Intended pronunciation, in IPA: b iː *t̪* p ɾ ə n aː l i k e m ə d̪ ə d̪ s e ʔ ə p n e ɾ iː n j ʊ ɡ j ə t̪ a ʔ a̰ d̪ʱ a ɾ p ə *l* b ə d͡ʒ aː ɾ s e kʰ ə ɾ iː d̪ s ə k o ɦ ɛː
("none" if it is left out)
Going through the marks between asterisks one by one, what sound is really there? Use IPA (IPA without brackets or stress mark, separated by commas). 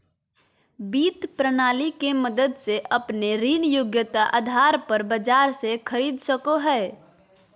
t̪, ɾ